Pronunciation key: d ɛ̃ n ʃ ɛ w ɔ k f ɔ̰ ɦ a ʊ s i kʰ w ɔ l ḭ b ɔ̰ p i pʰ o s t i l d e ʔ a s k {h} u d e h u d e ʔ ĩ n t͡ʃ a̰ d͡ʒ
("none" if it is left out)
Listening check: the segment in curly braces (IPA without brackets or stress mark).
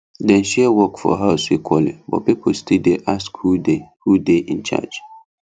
h